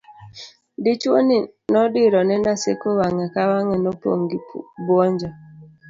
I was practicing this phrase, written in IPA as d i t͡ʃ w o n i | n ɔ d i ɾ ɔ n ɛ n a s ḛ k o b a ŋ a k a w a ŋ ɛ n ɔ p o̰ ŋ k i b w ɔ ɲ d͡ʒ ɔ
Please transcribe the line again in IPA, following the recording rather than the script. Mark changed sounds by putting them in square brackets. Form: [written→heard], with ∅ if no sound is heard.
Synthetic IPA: d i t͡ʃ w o n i | n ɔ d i ɾ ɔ n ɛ n a s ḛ k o [b→w] a ŋ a k a w a ŋ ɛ n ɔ p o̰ ŋ [k→ɡ] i b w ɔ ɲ d͡ʒ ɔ